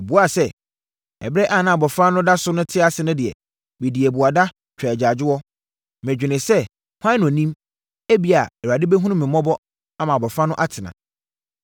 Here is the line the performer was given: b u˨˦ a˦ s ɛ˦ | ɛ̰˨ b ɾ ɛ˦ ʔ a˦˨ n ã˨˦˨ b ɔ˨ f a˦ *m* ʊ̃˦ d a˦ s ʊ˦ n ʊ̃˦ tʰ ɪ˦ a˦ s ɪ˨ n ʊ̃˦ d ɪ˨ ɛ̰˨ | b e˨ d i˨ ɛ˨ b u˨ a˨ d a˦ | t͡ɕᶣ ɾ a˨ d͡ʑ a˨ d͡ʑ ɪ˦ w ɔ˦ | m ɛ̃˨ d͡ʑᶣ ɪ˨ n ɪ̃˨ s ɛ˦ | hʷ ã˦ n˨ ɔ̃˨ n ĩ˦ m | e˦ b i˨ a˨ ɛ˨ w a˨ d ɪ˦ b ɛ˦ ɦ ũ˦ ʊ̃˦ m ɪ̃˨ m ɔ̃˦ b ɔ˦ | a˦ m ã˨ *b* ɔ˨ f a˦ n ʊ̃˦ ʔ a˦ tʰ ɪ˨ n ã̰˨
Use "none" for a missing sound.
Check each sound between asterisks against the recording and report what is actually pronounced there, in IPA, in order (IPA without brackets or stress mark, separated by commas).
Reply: n, b